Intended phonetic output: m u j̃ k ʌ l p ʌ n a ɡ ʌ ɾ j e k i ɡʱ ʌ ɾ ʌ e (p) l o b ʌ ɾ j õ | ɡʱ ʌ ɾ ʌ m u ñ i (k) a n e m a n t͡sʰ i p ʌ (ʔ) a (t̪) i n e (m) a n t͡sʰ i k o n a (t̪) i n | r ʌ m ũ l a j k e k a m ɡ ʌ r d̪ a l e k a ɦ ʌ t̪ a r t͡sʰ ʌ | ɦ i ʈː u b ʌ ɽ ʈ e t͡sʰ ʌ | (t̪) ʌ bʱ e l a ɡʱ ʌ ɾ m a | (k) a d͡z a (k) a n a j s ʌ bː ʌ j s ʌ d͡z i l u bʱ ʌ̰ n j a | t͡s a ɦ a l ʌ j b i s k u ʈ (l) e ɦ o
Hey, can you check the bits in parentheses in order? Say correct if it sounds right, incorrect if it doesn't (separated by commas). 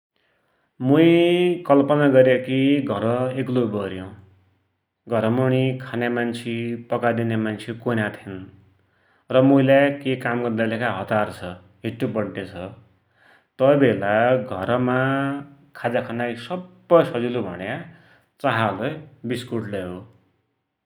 incorrect, incorrect, incorrect, incorrect, correct, incorrect, correct, incorrect, incorrect, correct